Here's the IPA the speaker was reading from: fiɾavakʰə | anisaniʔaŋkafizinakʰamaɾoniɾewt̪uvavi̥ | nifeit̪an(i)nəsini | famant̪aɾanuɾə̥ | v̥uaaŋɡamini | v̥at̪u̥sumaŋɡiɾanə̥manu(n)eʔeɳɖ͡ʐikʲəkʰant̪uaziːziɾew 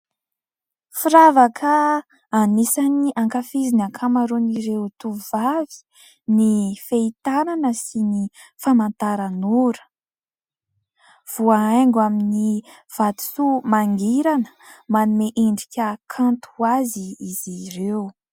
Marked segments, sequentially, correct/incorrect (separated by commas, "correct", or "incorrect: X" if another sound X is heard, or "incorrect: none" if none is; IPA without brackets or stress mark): incorrect: a, incorrect: m